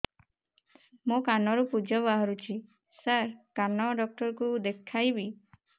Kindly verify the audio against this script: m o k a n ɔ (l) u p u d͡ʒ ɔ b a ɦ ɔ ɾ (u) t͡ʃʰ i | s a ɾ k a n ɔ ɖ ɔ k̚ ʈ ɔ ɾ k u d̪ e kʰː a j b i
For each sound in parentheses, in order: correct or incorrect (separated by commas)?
incorrect, correct